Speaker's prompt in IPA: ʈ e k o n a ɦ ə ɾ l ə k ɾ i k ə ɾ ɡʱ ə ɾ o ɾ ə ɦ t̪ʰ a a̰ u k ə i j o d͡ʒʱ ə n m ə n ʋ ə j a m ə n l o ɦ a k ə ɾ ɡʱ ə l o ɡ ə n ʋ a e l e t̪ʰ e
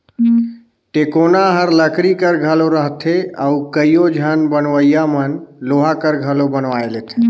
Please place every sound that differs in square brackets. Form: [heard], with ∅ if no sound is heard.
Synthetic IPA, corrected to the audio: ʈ e k o n a ɦ ə ɾ l ə k ɾ i k ə ɾ ɡʱ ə [l] o ɾ ə ɦ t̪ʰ [e] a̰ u k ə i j o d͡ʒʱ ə n [b] ə n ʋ ə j a m ə n l o ɦ a k ə ɾ ɡʱ ə l o [b] ə n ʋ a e l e t̪ʰ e